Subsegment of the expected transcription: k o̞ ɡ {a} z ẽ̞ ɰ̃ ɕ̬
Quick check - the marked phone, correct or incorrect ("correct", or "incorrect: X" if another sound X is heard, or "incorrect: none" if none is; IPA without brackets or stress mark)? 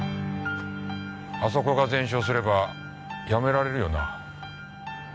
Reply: correct